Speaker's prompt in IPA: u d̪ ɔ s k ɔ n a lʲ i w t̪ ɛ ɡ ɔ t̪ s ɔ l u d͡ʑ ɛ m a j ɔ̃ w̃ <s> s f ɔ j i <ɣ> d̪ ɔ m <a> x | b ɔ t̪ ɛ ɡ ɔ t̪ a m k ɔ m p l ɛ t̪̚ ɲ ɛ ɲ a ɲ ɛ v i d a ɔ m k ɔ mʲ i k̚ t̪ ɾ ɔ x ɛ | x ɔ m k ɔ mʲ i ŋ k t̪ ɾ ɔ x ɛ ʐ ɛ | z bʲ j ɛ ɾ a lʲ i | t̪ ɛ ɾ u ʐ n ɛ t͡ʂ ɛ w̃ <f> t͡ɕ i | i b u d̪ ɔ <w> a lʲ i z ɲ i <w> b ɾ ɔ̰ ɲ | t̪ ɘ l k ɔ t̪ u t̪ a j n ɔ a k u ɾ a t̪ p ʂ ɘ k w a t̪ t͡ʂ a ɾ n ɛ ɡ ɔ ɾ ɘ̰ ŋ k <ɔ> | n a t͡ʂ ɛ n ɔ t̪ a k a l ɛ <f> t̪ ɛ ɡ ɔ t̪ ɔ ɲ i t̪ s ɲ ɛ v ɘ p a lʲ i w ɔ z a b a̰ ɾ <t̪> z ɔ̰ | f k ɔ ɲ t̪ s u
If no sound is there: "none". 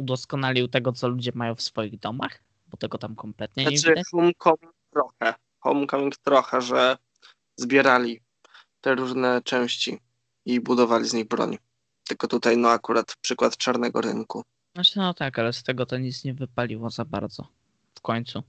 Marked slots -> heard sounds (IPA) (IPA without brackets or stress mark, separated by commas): f, ɣ, a, ɕ, v, ɣ, u, s, d̪